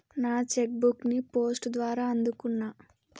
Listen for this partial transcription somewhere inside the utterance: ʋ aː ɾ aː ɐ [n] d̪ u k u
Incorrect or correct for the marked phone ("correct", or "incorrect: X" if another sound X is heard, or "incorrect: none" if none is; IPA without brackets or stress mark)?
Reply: correct